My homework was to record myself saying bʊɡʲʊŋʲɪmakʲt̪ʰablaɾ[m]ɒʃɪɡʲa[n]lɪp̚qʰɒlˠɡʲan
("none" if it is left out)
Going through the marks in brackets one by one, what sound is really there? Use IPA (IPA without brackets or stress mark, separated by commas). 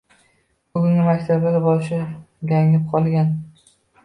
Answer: b, ŋ